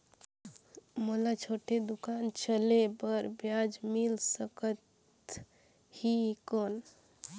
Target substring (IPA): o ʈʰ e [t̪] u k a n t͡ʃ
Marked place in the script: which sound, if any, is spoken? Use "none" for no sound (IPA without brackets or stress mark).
d̪